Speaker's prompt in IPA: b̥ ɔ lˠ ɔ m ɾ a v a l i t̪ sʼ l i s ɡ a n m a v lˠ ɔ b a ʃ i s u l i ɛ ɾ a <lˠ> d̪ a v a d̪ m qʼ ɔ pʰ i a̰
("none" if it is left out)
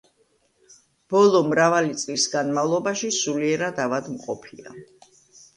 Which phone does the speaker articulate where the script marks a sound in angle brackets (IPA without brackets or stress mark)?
none